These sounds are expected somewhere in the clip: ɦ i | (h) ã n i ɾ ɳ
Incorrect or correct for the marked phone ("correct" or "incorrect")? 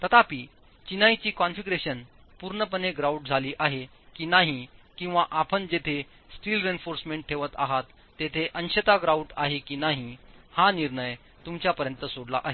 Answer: correct